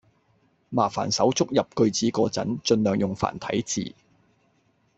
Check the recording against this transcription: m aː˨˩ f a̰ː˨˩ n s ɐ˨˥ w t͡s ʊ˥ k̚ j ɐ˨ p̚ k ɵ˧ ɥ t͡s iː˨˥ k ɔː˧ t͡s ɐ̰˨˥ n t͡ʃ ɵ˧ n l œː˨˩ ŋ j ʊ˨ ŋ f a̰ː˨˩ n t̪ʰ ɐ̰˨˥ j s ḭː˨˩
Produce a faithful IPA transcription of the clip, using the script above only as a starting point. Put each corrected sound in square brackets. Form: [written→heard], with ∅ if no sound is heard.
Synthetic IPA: m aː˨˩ f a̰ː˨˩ n s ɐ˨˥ w t͡s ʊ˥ k̚ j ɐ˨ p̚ k ɵ˧ ɥ t͡s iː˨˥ k ɔː˧ t͡s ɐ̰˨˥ n t͡ʃ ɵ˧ n l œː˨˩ ŋ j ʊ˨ ŋ f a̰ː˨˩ n t̪ʰ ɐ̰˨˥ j [s→t͡s] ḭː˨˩